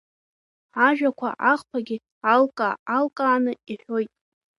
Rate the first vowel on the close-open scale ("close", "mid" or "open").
open